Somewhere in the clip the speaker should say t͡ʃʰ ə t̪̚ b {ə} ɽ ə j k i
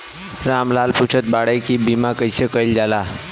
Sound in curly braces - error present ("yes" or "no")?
yes